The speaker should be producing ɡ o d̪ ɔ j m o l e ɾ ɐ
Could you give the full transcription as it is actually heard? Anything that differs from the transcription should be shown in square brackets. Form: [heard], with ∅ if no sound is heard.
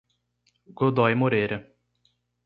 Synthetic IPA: ɡ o d̪ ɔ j m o [ɾ] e ɾ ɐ